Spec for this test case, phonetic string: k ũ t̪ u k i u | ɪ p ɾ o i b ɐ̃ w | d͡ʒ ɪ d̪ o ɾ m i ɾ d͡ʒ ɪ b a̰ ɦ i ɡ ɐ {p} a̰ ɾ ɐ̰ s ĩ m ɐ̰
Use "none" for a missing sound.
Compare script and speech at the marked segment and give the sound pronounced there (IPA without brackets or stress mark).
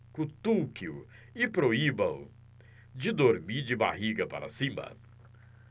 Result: p